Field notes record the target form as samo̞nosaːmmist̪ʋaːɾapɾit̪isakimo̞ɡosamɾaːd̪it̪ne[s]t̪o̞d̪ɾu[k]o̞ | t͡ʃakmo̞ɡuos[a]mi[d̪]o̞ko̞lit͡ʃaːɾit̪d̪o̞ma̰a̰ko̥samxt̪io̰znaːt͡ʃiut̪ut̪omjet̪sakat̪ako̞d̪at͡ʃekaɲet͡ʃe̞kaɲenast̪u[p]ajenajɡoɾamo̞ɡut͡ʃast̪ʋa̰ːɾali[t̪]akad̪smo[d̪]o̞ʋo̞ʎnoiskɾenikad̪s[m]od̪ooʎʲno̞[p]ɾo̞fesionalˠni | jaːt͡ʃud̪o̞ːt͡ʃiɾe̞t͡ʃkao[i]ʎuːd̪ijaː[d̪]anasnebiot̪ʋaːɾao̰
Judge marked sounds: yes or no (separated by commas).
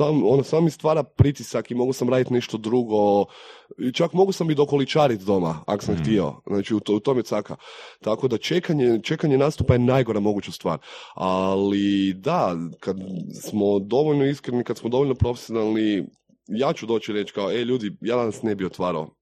no, no, yes, yes, yes, no, yes, yes, yes, no, yes